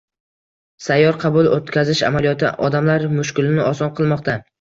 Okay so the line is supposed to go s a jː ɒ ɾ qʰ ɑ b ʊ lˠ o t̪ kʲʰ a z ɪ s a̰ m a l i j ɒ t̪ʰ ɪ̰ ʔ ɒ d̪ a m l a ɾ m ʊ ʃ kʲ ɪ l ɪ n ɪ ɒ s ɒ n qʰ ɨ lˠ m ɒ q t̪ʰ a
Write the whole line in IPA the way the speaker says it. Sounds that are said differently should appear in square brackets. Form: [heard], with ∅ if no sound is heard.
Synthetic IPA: s a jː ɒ ɾ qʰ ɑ b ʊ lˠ o t̪ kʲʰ a z ɪ [ʃ] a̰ m a l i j ɒ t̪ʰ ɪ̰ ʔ ɒ d̪ a m l a ɾ m ʊ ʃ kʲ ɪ l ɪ n ɪ ɒ s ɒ n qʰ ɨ lˠ m ɒ q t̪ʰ a